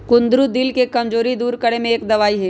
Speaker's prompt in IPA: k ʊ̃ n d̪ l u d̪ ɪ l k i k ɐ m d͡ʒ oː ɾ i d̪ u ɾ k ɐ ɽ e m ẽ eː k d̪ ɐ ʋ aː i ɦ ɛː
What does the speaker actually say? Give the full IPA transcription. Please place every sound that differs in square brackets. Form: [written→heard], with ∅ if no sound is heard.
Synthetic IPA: k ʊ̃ n d̪ [l→ɾ] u d̪ ɪ l k [i→e] k ɐ m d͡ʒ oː ɾ i d̪ [u→uː] ɾ k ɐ ɽ e m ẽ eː k d̪ ɐ ʋ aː i ɦ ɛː

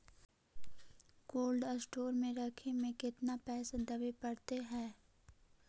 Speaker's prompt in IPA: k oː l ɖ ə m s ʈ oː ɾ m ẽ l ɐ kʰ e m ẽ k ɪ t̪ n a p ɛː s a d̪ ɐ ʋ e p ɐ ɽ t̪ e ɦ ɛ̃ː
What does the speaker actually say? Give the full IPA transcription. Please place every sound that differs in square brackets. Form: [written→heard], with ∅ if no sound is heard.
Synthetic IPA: k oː l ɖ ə [m→∅] s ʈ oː ɾ m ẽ [l→ɾ] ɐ kʰ e m ẽ k ɪ t̪ n a p ɛː s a d̪ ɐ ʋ e p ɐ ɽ t̪ e ɦ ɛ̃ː

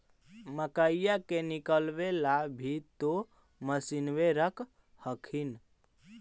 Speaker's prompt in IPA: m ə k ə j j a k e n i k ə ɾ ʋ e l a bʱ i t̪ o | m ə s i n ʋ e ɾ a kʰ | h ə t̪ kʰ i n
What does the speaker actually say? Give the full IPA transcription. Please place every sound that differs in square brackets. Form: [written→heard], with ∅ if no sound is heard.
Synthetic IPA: m ə k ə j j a k e n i k ə [ɾ→l] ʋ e l a bʱ i t̪ o | m ə s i n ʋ e ɾ [a→ə] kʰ | h ə [t̪→∅] kʰ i n

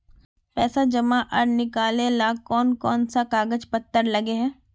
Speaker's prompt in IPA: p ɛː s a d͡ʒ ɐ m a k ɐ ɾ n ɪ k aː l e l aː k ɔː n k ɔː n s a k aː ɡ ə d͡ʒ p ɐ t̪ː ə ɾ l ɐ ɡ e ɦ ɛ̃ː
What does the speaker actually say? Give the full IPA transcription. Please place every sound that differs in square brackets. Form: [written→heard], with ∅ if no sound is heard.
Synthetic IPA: p ɛː s a d͡ʒ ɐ m a [k→ʔ] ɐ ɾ n ɪ k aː l e l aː k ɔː n k ɔː n s a k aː ɡ ə d͡ʒ p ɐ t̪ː ə ɾ l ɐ ɡ e ɦ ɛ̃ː

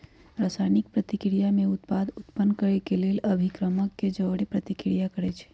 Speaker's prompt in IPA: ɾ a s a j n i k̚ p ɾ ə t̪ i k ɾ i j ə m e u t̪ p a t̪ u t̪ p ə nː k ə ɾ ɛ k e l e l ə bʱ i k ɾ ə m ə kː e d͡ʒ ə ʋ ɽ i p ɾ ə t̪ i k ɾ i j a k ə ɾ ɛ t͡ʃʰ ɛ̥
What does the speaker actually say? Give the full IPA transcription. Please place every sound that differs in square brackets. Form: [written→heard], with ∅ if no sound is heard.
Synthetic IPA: ɾ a s a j n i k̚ p ɾ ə t̪ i k ɾ i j [ə→a] m e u t̪ p a [t̪→d̪] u t̪ p ə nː k ə ɾ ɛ k e l e l ə bʱ i k ɾ ə m ə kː e d͡ʒ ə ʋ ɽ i p ɾ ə t̪ i k ɾ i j a k ə ɾ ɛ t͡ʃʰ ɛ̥

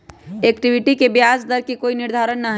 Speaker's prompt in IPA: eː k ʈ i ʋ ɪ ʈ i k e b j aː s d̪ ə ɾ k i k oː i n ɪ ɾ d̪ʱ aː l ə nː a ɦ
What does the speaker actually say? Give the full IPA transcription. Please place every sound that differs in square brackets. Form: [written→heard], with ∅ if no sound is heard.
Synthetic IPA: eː k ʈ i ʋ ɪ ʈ i k e b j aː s d̪ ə ɾ k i k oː i n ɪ ɾ d̪ʱ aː [l→ɾ] ə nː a ɦ

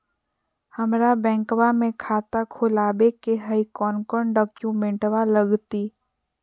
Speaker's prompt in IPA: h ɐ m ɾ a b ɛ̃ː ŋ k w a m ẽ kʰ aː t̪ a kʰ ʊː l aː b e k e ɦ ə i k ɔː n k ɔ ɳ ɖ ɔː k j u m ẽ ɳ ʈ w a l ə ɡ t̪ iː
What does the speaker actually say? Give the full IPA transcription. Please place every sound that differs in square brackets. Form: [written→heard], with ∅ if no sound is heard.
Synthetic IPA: h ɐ m ɾ a b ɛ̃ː ŋ k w a m ẽ kʰ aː t̪ a kʰ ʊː l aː b e k e ɦ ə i k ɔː n k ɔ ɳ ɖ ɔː k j u m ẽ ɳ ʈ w a l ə ɡ t̪ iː

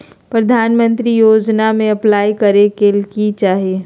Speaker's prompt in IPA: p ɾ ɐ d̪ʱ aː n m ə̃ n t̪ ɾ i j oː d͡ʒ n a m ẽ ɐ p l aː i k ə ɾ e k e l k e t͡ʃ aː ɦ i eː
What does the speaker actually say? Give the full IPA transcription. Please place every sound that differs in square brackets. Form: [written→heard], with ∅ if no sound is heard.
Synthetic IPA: p ɾ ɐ d̪ʱ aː n m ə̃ n t̪ ɾ i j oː d͡ʒ n a m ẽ ɐ p l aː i k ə ɾ e k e l k [e→i] t͡ʃ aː ɦ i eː

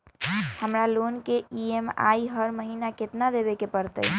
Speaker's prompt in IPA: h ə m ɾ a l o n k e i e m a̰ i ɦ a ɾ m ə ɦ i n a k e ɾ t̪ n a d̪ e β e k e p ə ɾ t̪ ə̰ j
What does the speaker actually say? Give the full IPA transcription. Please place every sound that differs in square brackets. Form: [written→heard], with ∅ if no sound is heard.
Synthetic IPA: h ə m ɾ a l o n k e i e m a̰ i ɦ [a→ə] ɾ m ə ɦ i n a k e [ɾ→∅] t̪ n a d̪ e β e k e p ə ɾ t̪ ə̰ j

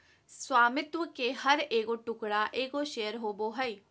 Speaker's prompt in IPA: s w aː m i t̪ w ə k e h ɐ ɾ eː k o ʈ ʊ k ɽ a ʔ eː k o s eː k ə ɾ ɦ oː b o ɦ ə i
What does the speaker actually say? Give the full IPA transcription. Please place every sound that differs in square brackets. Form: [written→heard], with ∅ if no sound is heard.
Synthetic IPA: s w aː m [i→ɪ] t̪ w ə k e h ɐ ɾ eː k o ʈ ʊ k ɽ a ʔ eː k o [s→ʃ] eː [k→∅] ə ɾ ɦ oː b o ɦ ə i

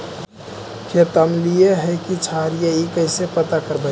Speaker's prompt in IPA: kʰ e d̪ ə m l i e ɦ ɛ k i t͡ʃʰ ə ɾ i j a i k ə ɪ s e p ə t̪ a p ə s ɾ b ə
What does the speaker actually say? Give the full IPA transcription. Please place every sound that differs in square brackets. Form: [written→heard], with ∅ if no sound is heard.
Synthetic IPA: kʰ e [d̪→t̪] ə m l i e ɦ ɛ k i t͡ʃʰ [ə→a] ɾ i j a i k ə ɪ s e p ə t̪ a [p→k] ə [s→∅] ɾ b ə

